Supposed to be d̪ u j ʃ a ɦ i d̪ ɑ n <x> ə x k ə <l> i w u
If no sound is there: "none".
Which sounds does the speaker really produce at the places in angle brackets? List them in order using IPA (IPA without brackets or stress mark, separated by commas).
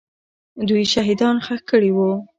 x, ɽ